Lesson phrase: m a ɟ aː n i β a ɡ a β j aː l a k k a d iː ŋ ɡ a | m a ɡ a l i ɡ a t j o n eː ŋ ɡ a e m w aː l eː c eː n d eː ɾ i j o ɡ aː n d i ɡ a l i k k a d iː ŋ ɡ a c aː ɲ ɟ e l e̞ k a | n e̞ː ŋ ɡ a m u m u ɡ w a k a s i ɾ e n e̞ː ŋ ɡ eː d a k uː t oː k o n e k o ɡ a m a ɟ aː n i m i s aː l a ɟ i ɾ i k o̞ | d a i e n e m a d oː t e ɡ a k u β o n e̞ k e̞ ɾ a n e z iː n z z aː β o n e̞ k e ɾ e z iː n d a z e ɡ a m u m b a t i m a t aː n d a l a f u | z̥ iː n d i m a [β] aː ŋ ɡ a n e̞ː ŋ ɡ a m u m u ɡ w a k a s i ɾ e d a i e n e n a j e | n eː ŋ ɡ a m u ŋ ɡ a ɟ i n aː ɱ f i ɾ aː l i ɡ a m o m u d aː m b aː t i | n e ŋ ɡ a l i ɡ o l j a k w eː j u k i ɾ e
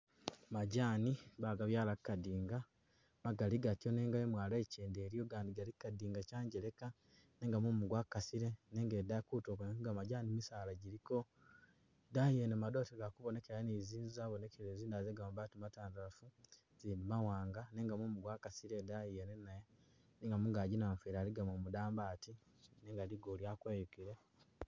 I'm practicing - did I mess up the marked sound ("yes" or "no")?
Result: yes